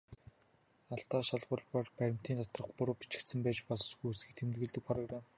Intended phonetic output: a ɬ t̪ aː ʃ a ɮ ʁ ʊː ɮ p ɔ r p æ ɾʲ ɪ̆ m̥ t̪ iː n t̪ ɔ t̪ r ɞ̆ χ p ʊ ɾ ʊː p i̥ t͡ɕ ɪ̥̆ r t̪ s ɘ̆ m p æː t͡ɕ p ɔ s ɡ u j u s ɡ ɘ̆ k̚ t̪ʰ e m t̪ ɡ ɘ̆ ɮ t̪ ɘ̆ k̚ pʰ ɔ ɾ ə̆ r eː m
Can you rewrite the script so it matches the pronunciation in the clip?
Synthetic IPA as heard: a ɬ t̪ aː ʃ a ɮ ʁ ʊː ɮ p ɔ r p æ ɾʲ ɪ̆ m̥ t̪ iː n t̪ ɔ t̪ r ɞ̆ χ p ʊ ɾ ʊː p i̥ t͡ɕ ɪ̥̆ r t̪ s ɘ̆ m p æː t͡ɕ p ɔ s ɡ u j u s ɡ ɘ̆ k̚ t̪ʰ e m t̪ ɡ ɘ̆ ɮ t̪ ɘ̆ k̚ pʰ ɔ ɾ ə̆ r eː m